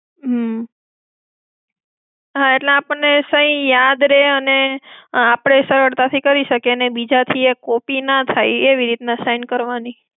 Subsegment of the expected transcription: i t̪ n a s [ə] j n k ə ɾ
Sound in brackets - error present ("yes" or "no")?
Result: yes